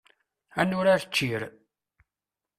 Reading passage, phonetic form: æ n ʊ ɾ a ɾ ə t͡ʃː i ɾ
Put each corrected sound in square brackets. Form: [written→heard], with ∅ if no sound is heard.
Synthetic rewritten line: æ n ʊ ɾ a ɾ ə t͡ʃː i ɾ